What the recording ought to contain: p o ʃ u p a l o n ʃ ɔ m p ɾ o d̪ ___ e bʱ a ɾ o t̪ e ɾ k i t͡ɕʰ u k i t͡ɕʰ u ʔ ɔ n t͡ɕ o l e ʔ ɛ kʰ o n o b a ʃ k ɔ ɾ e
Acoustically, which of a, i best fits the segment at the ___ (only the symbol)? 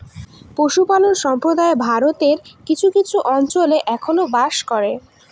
a